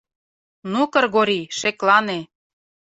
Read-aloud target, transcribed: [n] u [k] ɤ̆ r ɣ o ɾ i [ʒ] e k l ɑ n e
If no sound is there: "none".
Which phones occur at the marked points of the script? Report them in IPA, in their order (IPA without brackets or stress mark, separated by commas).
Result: n, k, ʃ